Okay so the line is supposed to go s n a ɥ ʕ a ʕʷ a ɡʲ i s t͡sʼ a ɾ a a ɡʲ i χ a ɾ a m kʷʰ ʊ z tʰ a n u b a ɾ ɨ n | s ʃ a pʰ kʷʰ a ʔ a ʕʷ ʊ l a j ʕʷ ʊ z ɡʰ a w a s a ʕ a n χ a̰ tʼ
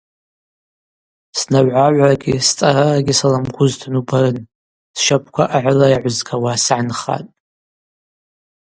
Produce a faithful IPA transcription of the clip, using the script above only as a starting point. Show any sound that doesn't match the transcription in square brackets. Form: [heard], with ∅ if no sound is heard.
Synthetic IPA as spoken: s n a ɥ ʕ a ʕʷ a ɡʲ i s t͡sʼ a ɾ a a ɡʲ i [s] a [l] a m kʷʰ ʊ z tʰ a n u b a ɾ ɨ n | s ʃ a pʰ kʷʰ a ʔ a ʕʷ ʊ l a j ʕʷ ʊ z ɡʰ a w a s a ʕ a n χ a̰ tʼ